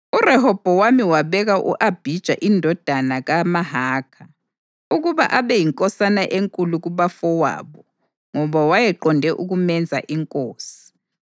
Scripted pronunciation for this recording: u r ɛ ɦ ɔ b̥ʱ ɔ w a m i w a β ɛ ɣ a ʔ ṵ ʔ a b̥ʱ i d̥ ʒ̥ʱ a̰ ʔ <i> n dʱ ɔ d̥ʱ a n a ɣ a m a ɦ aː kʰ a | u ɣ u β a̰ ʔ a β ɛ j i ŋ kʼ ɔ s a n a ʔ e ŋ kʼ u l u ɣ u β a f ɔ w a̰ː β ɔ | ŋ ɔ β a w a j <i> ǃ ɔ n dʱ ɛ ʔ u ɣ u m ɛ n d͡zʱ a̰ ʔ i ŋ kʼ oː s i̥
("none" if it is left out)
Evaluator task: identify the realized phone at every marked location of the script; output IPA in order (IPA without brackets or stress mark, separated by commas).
i, ɛ